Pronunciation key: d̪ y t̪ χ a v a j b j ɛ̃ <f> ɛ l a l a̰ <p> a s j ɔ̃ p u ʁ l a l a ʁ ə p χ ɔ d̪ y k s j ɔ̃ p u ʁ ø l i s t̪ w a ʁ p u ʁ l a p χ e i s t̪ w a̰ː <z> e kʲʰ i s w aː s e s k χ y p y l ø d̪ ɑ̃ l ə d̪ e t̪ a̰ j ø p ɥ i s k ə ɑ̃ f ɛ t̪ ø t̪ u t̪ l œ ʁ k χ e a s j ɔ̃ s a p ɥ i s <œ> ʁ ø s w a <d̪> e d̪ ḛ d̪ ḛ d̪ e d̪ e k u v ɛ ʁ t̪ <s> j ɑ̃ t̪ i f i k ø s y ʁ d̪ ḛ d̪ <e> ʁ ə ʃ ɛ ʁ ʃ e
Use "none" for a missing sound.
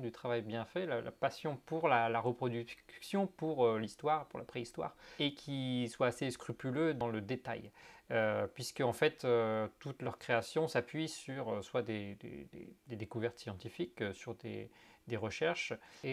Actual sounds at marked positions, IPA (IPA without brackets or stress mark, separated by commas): f, p, ʁ, y, d̪, s, e